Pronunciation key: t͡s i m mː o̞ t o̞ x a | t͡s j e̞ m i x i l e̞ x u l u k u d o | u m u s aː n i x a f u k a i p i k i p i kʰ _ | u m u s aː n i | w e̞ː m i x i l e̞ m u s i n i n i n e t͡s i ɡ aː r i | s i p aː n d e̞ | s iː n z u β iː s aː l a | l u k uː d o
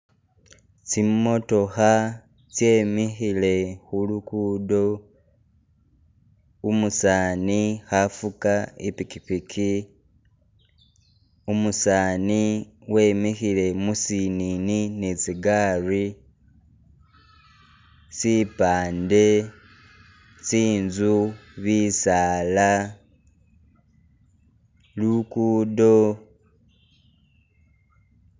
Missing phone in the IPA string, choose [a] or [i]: i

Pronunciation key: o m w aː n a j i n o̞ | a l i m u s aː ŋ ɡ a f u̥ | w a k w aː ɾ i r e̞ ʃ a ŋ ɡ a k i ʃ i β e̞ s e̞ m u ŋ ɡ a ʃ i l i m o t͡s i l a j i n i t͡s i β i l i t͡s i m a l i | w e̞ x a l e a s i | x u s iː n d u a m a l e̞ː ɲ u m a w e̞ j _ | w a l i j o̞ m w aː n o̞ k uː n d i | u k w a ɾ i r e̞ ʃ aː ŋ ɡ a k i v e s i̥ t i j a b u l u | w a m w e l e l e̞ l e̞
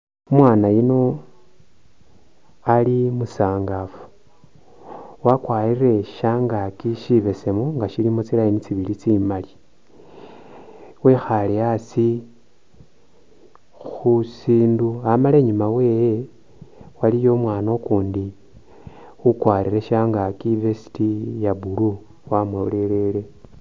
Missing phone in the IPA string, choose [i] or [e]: e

